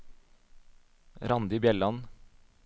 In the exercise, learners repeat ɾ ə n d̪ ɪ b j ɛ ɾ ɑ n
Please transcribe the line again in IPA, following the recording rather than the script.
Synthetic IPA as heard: ɾ ɑ n d̪ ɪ b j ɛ l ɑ n